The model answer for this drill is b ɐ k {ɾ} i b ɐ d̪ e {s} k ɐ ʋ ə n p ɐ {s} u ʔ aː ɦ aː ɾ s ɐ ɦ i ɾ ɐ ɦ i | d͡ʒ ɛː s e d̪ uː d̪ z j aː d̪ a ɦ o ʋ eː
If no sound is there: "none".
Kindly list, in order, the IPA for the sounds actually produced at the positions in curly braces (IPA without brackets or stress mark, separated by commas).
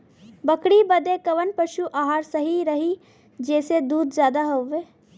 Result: ɽ, none, ʃ